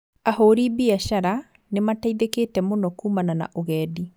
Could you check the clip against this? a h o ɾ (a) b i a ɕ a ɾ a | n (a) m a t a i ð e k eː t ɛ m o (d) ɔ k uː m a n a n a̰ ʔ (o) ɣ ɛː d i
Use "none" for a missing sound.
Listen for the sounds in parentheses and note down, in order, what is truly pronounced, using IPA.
i, e, n, o

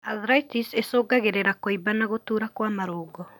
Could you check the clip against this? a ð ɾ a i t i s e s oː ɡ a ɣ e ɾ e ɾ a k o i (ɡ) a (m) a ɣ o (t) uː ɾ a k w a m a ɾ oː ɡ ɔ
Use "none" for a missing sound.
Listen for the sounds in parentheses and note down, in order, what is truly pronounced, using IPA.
b, n, t

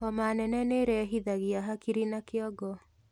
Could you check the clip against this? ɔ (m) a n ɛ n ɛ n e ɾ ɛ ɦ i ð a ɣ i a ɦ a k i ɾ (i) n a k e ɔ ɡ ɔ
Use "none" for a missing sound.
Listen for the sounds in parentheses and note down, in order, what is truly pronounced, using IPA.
m, i

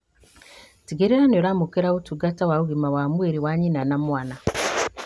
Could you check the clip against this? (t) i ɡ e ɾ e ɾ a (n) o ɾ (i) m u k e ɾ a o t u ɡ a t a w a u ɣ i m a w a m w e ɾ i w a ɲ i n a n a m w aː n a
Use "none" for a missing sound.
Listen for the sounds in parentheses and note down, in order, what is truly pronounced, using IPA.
t, n, a

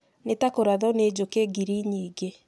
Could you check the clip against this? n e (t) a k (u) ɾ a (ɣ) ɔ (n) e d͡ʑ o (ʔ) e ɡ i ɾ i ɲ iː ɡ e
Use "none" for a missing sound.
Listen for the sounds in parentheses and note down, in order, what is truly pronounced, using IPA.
t, o, ð, n, k

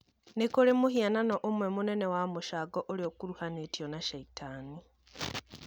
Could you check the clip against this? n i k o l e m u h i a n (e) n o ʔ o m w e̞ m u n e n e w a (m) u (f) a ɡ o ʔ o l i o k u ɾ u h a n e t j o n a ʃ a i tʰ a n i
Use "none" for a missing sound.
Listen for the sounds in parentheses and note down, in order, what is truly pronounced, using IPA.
a, m, ʃ

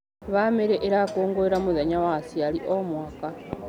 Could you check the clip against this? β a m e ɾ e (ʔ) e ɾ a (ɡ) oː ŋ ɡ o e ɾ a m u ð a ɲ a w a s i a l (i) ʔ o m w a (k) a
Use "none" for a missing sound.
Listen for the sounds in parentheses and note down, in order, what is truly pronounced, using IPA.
ʔ, k, i, k

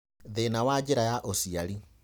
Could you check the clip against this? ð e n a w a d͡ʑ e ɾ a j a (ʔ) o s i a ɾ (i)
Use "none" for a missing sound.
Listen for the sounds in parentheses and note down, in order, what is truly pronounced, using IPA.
ʔ, i

